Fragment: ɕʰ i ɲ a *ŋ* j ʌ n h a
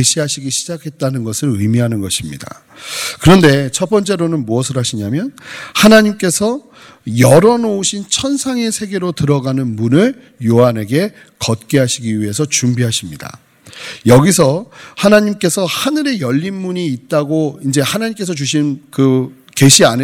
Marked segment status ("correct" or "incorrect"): incorrect